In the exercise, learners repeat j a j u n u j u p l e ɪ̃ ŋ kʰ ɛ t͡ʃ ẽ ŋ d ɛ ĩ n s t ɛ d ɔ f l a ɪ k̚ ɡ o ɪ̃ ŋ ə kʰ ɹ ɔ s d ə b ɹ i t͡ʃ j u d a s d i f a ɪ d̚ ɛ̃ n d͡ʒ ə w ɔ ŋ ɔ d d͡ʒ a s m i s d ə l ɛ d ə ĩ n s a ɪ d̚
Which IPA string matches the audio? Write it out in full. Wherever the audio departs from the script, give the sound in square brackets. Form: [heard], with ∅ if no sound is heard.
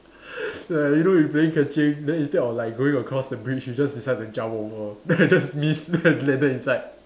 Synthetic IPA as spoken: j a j u n [o] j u p l e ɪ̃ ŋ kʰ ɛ t͡ʃ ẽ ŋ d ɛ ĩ n s t ɛ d ɔ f l a ɪ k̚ ɡ o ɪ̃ ŋ ə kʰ ɹ ɔ s d ə b ɹ i t͡ʃ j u [d͡ʒ] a s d i [s] a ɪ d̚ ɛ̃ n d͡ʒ [a] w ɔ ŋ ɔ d d͡ʒ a s m i s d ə l ɛ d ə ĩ n s a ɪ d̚